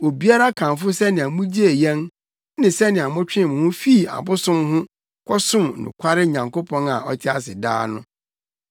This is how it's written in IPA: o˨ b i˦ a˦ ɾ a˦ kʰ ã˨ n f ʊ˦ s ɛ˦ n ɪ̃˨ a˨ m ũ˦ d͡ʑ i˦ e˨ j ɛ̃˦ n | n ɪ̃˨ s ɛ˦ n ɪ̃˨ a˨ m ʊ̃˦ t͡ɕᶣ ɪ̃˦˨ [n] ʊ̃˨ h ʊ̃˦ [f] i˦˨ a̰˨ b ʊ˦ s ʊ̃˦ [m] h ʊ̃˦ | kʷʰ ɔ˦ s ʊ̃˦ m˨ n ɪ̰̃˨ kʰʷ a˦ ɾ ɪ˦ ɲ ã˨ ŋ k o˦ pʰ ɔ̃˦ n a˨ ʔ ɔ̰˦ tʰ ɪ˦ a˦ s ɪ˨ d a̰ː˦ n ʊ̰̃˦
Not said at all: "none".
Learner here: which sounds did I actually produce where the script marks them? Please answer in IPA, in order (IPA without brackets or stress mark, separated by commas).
m, f, m